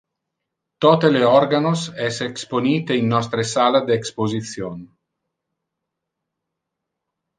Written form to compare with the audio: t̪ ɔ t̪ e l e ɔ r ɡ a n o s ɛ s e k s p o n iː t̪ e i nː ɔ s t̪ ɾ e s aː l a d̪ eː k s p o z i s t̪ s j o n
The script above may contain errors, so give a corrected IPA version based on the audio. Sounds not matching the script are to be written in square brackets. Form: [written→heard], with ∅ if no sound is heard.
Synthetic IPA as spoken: t̪ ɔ t̪ e l e ɔ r ɡ a n o s ɛ s e k s p o n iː t̪ e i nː ɔ s t̪ ɾ e s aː l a d̪ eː k s p o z i [s→∅] t̪ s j o n